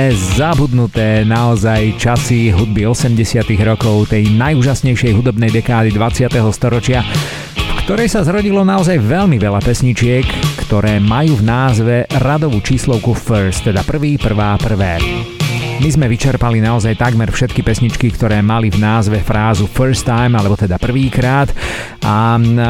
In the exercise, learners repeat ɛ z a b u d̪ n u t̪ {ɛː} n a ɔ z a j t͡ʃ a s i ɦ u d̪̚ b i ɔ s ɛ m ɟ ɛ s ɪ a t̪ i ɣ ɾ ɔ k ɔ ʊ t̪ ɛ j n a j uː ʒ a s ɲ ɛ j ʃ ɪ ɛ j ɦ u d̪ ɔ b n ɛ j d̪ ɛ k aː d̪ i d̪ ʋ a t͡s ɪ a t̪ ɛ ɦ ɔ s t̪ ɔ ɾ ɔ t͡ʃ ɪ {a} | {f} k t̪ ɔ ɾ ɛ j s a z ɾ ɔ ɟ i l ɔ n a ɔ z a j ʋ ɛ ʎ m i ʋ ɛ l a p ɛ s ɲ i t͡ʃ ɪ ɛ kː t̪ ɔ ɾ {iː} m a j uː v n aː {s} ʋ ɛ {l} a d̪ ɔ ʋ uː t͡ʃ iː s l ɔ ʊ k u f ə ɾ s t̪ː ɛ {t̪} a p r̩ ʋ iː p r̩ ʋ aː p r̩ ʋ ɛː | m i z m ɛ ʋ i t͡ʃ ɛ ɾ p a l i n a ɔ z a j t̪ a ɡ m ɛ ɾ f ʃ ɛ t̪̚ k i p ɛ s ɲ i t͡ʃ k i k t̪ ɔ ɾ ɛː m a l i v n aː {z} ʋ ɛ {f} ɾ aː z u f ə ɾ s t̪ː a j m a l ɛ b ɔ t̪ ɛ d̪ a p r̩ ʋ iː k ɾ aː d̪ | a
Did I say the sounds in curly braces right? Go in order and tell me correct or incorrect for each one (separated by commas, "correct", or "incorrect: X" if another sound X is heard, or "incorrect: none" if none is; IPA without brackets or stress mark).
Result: correct, correct, correct, incorrect: ɛː, incorrect: z, incorrect: ɾ, incorrect: d̪, correct, correct